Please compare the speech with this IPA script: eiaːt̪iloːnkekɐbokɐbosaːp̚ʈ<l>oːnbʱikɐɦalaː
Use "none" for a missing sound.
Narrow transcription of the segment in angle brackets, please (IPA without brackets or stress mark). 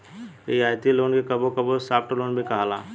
l